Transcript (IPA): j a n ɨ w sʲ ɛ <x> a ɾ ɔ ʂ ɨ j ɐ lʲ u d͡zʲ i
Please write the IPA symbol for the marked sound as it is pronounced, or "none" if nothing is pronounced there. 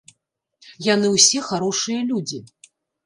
x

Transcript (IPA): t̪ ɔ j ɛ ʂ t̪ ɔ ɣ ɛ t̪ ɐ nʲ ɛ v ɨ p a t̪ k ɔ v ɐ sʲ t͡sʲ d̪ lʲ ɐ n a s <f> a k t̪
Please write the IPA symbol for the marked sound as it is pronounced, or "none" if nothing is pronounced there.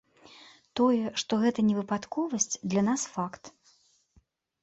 f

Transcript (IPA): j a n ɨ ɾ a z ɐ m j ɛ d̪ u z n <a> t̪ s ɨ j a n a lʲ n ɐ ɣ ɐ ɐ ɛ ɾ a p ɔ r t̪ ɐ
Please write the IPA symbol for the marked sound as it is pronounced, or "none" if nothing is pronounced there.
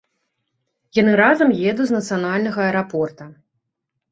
ɐ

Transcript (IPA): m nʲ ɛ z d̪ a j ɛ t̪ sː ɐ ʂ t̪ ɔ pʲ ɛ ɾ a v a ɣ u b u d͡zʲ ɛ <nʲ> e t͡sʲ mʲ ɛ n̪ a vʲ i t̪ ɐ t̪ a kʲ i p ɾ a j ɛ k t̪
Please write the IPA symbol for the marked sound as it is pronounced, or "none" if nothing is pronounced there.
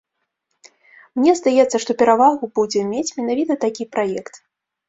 mʲ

